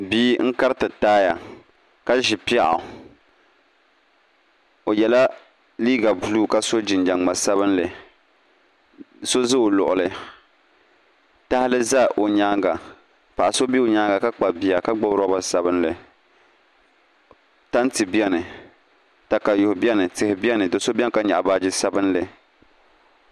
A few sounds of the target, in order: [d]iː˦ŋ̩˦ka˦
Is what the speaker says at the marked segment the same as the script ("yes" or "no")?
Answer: no